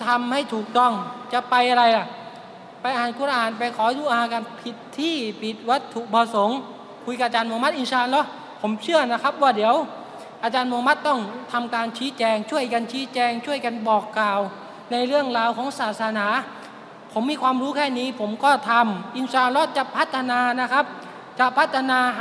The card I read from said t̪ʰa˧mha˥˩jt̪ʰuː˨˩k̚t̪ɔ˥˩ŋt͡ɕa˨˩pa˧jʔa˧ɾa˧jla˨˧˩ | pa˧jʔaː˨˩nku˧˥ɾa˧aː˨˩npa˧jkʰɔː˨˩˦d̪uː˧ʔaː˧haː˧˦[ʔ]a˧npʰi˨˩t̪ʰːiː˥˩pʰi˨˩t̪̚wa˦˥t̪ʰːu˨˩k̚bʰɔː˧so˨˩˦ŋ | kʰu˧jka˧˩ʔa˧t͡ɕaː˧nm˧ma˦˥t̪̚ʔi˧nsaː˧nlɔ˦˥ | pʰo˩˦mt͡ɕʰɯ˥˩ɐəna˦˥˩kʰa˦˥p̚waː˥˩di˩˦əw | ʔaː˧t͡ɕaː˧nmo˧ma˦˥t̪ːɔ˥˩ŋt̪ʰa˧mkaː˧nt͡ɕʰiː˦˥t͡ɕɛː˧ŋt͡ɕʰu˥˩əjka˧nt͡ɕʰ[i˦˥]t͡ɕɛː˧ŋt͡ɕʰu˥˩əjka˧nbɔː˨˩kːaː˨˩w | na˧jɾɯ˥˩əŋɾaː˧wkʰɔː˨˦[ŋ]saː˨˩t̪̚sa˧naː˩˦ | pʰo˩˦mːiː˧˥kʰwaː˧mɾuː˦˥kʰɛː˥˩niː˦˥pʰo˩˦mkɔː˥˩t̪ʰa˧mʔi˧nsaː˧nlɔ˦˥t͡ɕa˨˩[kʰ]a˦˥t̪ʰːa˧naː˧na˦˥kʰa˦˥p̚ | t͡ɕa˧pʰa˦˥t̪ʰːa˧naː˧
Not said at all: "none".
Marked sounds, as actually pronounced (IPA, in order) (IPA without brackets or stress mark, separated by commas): k, iː˦˥, ŋ, pʰ